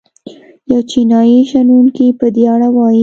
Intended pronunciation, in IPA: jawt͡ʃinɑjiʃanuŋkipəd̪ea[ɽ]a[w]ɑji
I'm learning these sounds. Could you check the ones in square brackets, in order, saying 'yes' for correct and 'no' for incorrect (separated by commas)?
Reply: yes, yes